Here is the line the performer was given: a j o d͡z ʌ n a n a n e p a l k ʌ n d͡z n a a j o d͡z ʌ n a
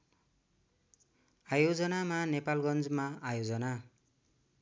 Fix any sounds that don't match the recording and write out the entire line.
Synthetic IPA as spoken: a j o d͡z ʌ n a m a n e p a l ɡ ʌ n d͡z m a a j o d͡z ʌ n a